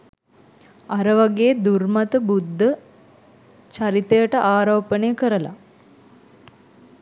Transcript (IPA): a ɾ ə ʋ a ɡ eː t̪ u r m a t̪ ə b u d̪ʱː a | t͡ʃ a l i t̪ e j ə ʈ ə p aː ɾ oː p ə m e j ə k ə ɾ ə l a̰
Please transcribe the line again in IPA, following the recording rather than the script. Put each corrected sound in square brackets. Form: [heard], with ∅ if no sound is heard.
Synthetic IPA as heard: a ɾ ə ʋ a ɡ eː [d̪] u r m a t̪ ə b u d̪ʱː [ə] | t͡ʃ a [ɾ] i t̪ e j ə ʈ ə [ʔ] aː ɾ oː p ə [n] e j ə k ə ɾ ə l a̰

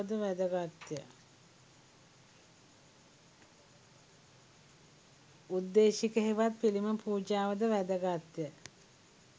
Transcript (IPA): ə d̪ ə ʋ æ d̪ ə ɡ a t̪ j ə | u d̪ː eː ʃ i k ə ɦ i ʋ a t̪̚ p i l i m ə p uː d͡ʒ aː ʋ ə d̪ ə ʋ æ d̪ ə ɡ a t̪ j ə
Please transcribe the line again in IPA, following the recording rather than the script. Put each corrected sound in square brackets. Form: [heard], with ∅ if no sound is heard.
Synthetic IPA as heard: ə d̪ ə ʋ æ d̪ ə ɡ a t̪ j ə | u d̪ː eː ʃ i k ə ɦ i ʋ a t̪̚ p i l i m ə p uː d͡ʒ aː ʋ ə d̪ ə ʋ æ d̪ ə ɡ a t̪ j ə

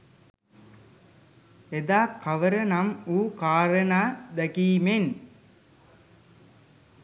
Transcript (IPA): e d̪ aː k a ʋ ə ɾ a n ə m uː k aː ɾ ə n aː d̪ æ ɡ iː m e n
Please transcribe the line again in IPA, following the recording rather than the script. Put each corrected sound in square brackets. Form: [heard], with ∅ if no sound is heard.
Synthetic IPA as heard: e d̪ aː k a ʋ ə ɾ [ə] n [a] m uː k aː ɾ ə n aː d̪ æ [k] iː m e n

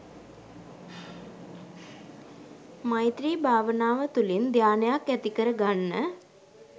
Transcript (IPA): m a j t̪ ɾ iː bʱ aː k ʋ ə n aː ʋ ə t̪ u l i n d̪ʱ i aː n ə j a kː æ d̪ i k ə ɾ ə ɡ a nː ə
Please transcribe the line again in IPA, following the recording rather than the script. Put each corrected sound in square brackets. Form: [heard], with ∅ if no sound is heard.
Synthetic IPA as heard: m a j t̪ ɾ iː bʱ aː [∅] ʋ ə n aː ʋ ə t̪ u l i n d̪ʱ [j] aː n ə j a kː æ [t̪] i k ə ɾ ə ɡ a nː ə

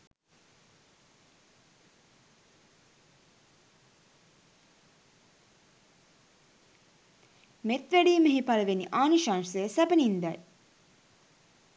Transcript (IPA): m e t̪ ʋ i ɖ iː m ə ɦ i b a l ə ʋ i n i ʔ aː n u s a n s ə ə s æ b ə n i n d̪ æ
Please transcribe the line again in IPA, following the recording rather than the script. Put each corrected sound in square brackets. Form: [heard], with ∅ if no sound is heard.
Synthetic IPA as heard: m e t̪ ʋ [æ] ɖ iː m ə ɦ i [p] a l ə ʋ [e] n i ʔ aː n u [ʃ] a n s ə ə s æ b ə n i n d̪ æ

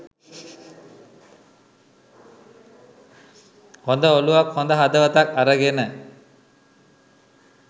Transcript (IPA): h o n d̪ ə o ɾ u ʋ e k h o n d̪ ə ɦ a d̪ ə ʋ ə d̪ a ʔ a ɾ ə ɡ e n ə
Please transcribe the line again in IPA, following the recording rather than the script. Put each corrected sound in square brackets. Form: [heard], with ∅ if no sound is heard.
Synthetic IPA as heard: h o n d̪ ə o [l] u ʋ [a] k h o n d̪ ə ɦ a d̪ ə ʋ ə [t̪] a [k] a ɾ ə ɡ e n ə

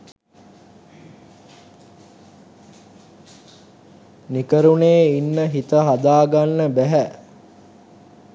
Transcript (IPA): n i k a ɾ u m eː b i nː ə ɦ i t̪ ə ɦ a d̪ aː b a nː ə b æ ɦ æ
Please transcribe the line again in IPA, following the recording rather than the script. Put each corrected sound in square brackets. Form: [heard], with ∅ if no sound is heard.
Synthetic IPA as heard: n i k [ə] ɾ u [n] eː [∅] i nː ə ɦ i t̪ ə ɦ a d̪ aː [ɡ] a nː ə b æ ɦ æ

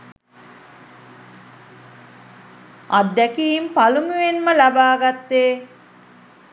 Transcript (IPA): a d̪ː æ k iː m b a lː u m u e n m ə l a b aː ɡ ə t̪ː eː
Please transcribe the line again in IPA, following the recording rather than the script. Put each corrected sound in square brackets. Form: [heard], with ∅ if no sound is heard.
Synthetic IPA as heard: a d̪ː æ k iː m [p] a [l] u m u e n m ə l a b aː ɡ [a] t̪ː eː

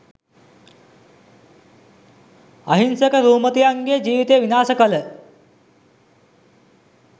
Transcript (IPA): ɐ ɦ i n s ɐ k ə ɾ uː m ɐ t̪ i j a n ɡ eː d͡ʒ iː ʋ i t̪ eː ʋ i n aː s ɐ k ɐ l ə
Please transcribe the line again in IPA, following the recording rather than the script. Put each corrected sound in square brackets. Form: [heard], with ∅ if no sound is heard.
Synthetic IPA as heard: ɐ ɦ i n s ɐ k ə ɾ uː m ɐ t̪ i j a [ŋ] ɡ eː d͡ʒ iː ʋ i t̪ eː ʋ i n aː s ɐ k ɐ l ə

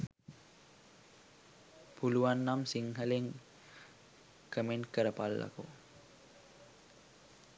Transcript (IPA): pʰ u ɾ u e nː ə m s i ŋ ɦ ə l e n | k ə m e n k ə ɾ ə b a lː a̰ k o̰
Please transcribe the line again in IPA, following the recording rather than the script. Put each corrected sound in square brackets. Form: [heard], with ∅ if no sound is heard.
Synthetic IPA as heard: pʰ u [l] u [a] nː [a] m s i ŋ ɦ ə l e [ŋ] | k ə m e n k ə ɾ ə [p] a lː a̰ k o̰

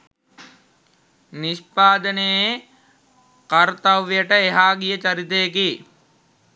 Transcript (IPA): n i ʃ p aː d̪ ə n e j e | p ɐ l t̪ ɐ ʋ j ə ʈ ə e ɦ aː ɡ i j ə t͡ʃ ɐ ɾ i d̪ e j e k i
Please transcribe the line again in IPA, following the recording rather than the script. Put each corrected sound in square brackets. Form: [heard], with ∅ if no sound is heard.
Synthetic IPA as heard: n i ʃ p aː d̪ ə n e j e | [k] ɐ [ɾ] t̪ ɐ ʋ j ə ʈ ə e ɦ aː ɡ i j ə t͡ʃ ɐ ɾ i [t̪] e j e k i

